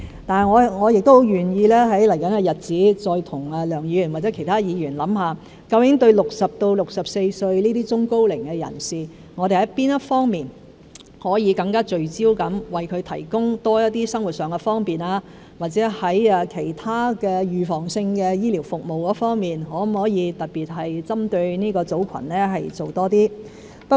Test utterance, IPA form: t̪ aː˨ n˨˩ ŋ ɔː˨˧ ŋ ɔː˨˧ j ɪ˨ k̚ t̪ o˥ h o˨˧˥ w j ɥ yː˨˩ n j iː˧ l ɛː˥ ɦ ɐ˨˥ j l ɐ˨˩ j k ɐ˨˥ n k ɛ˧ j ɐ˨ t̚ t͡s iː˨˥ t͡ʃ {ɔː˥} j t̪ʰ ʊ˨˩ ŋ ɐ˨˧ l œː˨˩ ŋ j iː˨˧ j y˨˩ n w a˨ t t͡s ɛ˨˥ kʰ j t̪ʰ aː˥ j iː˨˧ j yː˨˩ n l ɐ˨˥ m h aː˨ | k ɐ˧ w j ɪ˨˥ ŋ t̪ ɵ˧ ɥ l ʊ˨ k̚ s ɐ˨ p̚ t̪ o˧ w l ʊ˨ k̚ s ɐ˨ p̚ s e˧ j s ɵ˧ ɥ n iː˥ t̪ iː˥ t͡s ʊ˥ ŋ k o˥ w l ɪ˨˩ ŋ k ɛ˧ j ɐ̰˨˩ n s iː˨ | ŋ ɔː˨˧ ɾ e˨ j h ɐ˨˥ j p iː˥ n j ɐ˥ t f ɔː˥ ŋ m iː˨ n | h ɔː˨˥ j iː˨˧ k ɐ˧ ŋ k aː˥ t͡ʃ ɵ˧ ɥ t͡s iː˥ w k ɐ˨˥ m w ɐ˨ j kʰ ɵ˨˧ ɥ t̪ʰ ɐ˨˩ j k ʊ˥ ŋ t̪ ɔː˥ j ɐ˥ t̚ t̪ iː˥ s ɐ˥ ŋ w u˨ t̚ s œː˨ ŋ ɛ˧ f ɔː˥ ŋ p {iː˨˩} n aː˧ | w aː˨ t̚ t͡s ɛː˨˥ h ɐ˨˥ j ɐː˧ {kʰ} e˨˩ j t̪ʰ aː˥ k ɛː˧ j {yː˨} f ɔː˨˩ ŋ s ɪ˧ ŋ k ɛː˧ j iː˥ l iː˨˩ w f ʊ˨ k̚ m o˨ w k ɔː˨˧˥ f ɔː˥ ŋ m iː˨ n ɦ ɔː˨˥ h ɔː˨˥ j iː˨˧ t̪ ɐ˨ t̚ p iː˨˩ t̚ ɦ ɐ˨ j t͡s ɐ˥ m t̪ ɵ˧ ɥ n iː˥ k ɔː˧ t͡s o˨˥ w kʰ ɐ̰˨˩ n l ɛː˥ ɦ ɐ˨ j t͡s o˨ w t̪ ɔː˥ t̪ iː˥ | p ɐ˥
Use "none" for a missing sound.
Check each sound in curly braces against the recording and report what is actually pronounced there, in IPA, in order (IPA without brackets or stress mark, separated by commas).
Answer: ɔː˧, iː˨˩, kʰ, yː˨